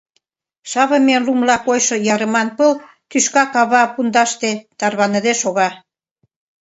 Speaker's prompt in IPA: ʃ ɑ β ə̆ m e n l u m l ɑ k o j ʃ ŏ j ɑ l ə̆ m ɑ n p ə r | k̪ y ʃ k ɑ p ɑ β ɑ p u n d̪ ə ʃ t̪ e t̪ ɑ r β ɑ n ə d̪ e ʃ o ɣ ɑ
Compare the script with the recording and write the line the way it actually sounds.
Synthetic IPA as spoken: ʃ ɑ β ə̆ m e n l u m l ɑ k o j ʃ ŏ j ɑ ɾ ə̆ m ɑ n p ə l | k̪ y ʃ k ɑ k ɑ β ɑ p u n d̪ ɑ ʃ t̪ e t̪ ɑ r β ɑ n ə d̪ e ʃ o ɣ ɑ